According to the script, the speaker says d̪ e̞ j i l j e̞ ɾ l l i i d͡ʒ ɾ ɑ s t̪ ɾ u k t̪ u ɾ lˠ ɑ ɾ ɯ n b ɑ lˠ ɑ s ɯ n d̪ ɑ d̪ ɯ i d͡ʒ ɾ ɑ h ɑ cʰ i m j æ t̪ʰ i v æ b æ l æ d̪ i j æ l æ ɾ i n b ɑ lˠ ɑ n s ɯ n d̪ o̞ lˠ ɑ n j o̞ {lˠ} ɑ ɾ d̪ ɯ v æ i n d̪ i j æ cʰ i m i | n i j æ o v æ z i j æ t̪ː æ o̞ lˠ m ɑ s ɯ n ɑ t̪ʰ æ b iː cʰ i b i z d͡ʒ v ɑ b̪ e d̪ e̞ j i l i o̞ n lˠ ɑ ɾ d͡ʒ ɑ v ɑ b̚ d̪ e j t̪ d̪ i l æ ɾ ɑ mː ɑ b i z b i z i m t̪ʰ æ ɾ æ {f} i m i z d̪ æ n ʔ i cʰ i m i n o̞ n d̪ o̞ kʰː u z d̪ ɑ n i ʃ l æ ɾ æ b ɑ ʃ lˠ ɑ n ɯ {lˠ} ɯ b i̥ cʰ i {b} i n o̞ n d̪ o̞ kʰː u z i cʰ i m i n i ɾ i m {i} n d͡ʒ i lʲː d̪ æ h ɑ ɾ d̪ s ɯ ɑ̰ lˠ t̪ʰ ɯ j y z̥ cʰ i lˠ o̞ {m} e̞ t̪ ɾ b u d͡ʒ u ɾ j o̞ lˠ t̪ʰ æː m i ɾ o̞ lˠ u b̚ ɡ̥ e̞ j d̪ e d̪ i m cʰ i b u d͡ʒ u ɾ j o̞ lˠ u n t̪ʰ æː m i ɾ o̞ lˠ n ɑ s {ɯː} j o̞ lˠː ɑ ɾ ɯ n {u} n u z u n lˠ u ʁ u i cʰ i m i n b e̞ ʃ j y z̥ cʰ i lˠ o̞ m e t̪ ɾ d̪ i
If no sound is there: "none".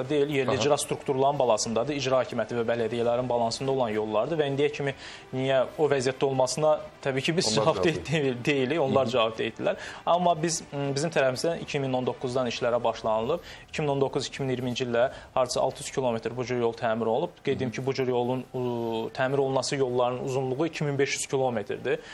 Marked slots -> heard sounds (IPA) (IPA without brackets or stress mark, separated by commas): lˠː, f, lˠ, m, i, m, ɯ, ɯ